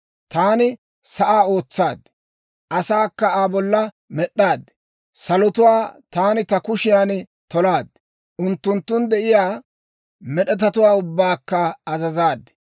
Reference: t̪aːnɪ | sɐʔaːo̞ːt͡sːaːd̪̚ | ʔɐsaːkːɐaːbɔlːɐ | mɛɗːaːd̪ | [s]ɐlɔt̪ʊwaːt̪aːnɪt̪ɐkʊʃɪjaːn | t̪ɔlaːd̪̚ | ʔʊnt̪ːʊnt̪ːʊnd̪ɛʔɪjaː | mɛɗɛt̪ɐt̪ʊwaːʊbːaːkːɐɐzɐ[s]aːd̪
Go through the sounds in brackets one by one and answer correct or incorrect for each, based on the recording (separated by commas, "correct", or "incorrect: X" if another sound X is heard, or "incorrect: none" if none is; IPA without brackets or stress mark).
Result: correct, incorrect: z